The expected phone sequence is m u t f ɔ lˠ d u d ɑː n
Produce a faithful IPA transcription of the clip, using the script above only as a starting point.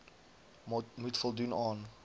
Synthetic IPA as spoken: m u t f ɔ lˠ d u n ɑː n